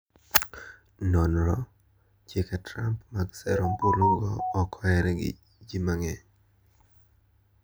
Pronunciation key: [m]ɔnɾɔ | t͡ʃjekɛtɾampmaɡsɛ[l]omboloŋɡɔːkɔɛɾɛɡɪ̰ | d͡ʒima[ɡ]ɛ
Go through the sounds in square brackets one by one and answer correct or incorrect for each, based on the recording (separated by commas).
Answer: incorrect, incorrect, incorrect